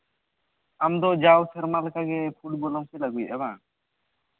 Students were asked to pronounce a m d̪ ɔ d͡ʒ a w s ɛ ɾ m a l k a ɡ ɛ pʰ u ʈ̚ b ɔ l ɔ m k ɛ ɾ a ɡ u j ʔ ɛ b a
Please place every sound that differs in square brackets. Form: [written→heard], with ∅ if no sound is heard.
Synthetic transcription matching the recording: a m d̪ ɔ d͡ʒ a w s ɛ ɾ m a l k a ɡ ɛ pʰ u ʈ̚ b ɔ l ɔ m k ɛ [ɾ→l] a ɡ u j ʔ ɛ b a